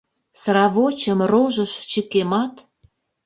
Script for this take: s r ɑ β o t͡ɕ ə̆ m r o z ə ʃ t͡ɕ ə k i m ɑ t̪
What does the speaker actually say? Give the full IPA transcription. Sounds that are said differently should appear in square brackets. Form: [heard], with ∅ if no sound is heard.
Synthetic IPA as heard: s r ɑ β o t͡ɕ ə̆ m r o [ʒ] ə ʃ t͡ɕ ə k [e] m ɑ t̪

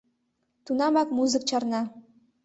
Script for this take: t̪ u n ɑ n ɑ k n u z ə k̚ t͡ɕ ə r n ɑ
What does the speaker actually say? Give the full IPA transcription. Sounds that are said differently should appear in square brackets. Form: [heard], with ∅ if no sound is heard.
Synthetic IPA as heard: t̪ u n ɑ [m] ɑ k [m] u z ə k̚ t͡ɕ [ɑ] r n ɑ

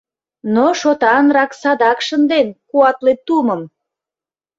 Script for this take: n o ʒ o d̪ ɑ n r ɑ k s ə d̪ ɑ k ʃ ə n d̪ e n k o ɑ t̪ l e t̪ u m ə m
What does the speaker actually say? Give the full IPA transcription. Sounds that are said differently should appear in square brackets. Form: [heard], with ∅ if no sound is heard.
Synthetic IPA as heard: n o [ʃ] o [t̪] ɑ n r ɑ k s [ɑ] d̪ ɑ k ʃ ə n d̪ e n k [u] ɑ t̪ l e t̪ u m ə m

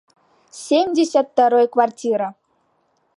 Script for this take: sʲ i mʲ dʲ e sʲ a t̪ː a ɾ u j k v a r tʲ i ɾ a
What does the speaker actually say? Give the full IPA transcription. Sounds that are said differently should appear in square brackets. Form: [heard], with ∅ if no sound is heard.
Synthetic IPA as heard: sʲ [e] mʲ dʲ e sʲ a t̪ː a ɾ [o] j k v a r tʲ i ɾ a

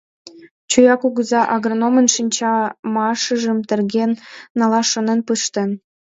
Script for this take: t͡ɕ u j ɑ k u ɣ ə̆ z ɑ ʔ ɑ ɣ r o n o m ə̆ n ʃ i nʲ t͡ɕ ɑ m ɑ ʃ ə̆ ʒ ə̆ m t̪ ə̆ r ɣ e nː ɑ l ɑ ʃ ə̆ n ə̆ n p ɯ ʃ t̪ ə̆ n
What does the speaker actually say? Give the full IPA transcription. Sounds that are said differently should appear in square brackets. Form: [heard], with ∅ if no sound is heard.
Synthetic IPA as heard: t͡ɕ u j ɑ k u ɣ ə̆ z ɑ ʔ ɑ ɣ r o n o m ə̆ n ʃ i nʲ t͡ɕ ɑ m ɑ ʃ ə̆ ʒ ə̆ m t̪ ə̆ r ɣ e nː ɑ l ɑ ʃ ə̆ n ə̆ n p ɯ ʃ t̪ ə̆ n

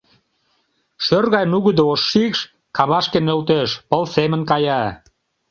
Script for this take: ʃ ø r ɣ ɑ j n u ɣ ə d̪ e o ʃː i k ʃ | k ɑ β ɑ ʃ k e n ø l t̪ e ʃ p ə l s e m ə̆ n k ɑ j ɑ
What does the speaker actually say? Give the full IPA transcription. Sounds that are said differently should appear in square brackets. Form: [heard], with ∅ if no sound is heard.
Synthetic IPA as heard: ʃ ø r ɣ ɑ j n u ɣ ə d̪ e o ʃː i k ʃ | k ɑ β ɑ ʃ k e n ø l t̪ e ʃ p ə l s e m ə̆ n k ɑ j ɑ

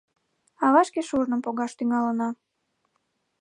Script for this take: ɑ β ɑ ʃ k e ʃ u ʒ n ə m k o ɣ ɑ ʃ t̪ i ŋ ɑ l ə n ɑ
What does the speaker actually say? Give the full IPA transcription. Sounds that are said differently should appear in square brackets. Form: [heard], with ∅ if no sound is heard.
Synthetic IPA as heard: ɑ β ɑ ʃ k e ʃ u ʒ n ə m [p] o ɣ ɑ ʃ t̪ [y] ŋ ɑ l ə n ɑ

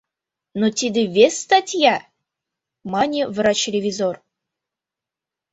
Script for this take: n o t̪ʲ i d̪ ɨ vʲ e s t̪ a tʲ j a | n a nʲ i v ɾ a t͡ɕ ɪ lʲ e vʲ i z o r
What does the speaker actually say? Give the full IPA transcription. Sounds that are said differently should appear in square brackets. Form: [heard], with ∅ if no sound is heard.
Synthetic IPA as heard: n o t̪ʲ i d̪ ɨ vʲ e s t̪ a tʲ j a | [m] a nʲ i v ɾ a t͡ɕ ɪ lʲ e vʲ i z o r

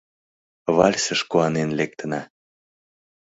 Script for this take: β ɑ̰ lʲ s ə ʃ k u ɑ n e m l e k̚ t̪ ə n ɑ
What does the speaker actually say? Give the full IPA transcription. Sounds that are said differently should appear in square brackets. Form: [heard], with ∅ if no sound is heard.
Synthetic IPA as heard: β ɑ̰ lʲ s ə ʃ k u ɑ n e [n] l e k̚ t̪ ə n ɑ

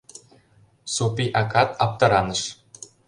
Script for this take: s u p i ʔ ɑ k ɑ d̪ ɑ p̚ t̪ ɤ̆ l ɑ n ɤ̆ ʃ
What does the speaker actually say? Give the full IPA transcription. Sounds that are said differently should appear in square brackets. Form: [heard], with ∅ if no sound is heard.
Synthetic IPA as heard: s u p i ʔ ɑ k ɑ [t̪] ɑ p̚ t̪ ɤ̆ [ɾ] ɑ n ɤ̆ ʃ

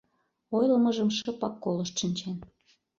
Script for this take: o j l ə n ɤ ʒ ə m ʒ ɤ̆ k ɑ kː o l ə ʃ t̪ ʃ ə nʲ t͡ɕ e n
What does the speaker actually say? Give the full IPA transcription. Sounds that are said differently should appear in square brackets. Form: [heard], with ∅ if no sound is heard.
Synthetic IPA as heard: o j l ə [m] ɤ ʒ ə m [ʃ] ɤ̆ [p] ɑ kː o l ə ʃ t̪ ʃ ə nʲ t͡ɕ e n

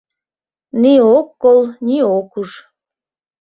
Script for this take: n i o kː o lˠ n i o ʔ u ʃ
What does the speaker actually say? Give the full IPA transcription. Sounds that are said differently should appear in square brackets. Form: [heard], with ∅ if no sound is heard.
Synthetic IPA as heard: n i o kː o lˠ n i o [k] u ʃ

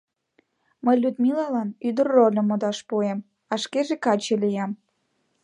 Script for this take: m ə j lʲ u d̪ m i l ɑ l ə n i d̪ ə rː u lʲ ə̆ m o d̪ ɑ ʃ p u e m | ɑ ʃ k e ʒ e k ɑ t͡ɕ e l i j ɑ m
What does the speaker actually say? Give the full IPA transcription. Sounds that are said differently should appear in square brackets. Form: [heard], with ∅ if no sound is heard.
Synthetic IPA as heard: m ə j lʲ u d̪ m i l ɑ l [ɑ] n [y] d̪ ə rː [o] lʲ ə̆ m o d̪ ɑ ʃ p u e m | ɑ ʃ k e ʒ e k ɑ t͡ɕ e l i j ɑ m

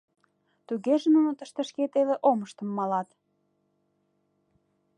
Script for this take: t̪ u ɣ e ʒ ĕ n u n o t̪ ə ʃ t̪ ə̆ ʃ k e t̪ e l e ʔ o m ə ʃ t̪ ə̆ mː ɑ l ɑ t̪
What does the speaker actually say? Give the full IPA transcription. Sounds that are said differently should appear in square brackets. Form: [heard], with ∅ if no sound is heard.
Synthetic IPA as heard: t̪ u ɣ e ʒ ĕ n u n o t̪ ə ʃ t̪ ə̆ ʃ k e t̪ e l e ʔ o m ə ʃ t̪ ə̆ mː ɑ l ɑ t̪

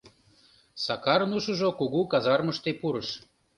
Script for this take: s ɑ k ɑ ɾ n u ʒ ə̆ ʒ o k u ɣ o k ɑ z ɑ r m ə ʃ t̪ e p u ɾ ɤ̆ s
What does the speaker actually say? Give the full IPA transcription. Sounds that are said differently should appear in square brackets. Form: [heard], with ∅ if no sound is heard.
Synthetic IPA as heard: s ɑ k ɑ ɾ n u [ʃ] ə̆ ʒ o k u ɣ [u] k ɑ z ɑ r m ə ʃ t̪ e p u ɾ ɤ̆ [ʃ]

